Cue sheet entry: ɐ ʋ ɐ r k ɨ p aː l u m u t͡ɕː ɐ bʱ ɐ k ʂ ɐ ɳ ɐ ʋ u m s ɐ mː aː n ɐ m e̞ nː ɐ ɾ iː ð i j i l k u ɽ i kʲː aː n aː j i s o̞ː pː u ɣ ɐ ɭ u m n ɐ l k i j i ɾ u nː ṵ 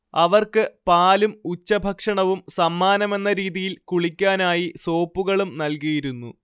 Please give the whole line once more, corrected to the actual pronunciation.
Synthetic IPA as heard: ɐ ʋ ɐ r k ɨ p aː l u m u t͡ɕː ɐ bʱ ɐ k ʂ ɐ ɳ ɐ ʋ u m s ɐ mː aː n ɐ m e̞ nː ɐ ɾ iː ð i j i l k u ɭ i kʲː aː n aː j i s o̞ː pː u ɣ ɐ ɭ u m n ɐ l k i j i ɾ u nː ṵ